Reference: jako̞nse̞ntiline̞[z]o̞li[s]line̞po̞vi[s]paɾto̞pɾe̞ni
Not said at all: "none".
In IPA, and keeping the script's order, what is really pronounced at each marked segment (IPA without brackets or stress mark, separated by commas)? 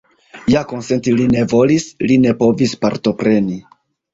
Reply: v, s, s